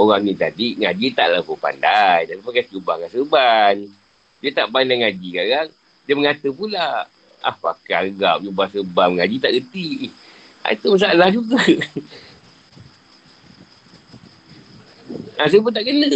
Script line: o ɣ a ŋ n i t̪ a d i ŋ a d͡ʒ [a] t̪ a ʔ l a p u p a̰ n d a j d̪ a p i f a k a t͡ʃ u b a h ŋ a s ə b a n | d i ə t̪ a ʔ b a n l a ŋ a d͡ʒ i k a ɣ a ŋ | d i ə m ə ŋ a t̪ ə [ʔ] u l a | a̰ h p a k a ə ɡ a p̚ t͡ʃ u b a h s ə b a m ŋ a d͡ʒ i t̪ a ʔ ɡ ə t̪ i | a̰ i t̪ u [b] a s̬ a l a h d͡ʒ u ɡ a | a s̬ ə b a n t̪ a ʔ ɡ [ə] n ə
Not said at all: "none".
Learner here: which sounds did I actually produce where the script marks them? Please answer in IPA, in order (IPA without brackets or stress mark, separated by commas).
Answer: i, p, m, ə